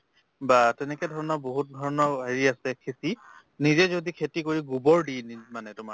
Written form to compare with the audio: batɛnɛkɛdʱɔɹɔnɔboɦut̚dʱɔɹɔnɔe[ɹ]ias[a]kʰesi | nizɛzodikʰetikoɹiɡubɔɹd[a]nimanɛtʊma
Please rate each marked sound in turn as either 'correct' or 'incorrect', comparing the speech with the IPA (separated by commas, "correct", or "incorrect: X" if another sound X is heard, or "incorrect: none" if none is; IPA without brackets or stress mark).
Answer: correct, incorrect: ɛ, incorrect: i